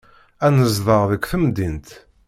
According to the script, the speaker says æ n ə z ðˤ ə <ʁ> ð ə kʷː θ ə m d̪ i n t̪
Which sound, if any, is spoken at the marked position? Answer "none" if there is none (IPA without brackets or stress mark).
ʁ